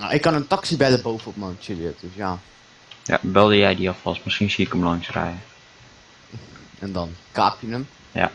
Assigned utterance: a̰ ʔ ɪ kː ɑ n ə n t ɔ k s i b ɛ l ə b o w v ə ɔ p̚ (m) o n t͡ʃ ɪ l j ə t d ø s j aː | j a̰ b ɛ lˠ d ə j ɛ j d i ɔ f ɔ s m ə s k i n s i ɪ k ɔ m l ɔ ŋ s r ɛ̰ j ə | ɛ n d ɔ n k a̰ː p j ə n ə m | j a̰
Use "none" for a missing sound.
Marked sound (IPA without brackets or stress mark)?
m